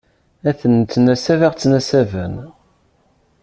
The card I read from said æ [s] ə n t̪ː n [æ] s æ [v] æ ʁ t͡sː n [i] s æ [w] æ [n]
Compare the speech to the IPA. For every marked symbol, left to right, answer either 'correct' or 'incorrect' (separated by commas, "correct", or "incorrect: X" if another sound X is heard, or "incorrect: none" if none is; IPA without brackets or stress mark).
incorrect: θ, correct, correct, incorrect: æ, incorrect: v, correct